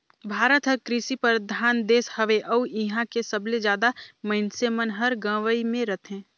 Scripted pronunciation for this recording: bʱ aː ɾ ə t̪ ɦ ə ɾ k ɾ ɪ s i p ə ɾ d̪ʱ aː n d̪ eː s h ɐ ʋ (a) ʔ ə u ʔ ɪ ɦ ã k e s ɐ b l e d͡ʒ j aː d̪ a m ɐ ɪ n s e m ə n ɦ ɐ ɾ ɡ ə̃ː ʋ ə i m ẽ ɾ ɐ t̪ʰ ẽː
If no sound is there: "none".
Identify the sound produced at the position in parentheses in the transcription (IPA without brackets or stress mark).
e